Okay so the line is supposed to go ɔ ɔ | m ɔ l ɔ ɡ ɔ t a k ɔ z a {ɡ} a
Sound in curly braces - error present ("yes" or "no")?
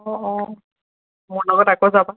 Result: yes